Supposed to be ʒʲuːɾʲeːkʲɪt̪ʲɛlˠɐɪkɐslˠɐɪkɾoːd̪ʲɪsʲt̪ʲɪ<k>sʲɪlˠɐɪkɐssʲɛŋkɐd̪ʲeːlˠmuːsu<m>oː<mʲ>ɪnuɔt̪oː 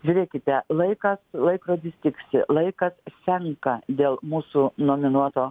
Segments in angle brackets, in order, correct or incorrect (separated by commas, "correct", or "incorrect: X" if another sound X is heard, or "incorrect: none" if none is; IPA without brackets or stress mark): correct, incorrect: n, correct